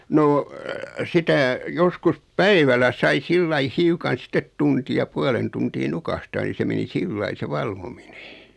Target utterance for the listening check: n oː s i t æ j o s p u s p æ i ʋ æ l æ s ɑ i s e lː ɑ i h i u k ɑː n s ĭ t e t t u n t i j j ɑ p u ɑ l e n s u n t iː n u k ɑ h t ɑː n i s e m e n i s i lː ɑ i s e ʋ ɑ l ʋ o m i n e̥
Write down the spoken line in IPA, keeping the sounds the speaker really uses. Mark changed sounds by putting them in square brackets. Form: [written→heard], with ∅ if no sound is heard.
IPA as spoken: n oː s i t æ j o s [p→k] u s p æ i ʋ æ l æ s ɑ i s [e→i] lː ɑ i h i u k [ɑː→ɑ] n s ĭ t e t t u n t i j j ɑ p u ɑ l e n [s→t] u n t iː n u k ɑ h t ɑː n i s e m e n i s i lː ɑ i s e ʋ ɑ l ʋ o m i n e̥

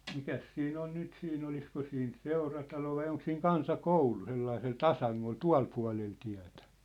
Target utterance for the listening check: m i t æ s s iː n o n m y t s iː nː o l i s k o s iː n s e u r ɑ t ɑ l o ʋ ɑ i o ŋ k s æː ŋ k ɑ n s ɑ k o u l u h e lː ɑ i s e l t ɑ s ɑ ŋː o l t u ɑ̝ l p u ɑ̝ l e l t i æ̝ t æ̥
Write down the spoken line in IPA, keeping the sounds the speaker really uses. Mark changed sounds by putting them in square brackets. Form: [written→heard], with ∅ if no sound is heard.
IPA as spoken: m i [t→k] æ s s iː n o n [m→n] y t s iː [nː→n] o l i s k o s iː n s e u r ɑ t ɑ l o ʋ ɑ i o ŋ k s [æː→iː] ŋ k ɑ n s ɑ k o u l u [h→s] e lː ɑ i s e l t ɑ s ɑ ŋː o l t u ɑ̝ l p u ɑ̝ l e l t i æ̝ t æ̥

